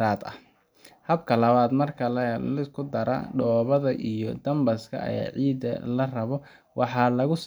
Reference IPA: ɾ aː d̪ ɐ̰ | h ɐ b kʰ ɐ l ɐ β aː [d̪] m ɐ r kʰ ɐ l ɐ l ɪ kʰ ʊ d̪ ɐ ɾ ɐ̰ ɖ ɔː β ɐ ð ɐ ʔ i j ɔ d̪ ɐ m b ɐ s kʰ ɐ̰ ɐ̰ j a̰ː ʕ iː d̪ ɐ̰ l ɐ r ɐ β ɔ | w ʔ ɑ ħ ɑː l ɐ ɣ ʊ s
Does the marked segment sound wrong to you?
no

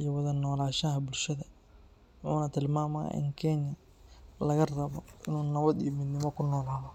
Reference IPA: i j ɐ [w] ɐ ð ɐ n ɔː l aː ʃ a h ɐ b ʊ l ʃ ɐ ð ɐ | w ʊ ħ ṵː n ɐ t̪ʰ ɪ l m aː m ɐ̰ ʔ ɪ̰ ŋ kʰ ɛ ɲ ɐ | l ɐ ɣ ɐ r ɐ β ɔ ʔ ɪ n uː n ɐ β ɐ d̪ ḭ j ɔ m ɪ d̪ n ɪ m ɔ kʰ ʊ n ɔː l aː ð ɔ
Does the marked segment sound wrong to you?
no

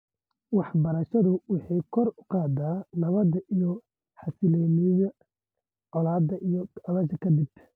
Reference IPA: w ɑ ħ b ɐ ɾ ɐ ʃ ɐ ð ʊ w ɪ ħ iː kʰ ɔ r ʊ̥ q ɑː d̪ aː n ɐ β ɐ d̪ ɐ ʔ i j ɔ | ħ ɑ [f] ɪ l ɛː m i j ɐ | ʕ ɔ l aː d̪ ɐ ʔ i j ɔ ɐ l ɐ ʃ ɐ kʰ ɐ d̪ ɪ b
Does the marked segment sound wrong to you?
yes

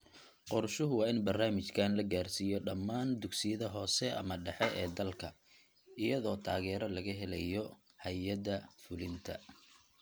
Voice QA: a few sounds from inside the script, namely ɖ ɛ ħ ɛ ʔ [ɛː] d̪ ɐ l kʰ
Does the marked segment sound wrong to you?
no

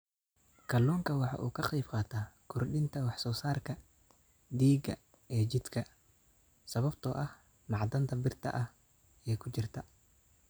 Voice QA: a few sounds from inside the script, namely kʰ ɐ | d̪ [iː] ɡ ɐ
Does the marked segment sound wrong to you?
no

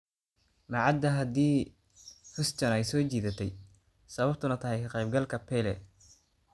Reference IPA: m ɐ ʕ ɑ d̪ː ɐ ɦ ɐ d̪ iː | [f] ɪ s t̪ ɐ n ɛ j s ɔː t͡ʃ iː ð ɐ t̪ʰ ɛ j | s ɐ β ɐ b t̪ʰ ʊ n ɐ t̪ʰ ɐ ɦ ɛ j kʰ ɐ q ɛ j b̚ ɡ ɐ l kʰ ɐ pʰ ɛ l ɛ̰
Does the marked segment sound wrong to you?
no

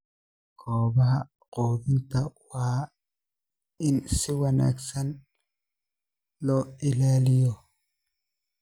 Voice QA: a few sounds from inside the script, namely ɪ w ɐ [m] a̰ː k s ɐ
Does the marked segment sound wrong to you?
yes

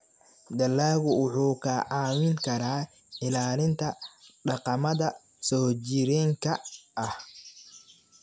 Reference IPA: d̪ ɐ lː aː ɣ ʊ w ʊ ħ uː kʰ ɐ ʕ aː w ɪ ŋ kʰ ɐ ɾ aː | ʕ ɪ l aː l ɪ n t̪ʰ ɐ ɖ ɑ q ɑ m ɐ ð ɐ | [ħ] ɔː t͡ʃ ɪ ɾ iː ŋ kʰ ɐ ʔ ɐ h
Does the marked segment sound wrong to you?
yes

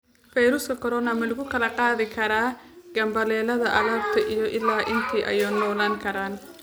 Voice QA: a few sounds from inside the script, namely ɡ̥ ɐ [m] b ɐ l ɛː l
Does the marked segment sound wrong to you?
no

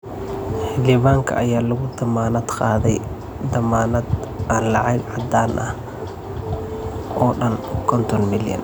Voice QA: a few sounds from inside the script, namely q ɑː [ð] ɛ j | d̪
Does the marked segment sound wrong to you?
no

